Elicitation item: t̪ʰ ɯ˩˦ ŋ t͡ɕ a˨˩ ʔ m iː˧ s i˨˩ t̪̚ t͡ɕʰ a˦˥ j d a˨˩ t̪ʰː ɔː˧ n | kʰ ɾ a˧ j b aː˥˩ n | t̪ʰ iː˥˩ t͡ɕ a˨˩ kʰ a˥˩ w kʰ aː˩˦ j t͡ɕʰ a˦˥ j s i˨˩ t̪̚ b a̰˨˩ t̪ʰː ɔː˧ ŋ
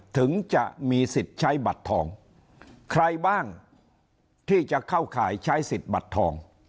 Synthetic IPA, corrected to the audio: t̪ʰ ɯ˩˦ ŋ t͡ɕ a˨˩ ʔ m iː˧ s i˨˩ t̪̚ t͡ɕʰ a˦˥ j b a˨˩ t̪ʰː ɔː˧ ŋ | kʰ ɾ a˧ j b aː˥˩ ŋ | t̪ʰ iː˥˩ t͡ɕ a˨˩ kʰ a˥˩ w kʰ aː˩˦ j t͡ɕʰ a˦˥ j s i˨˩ t̪̚ b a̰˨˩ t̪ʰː ɔː˧ ŋ